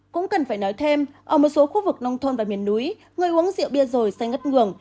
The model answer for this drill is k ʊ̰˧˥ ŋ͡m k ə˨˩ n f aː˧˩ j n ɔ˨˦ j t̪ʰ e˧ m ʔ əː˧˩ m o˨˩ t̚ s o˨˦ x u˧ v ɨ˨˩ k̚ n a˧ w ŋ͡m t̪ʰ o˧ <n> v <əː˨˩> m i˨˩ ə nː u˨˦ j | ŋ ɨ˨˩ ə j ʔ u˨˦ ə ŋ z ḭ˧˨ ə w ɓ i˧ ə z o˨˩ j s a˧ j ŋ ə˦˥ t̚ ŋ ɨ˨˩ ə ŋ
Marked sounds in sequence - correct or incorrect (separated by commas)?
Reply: correct, incorrect